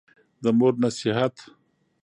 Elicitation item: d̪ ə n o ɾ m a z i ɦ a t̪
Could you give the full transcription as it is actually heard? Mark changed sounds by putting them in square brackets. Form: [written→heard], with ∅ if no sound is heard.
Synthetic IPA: d̪ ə [n→m] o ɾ [m→n] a [z→s] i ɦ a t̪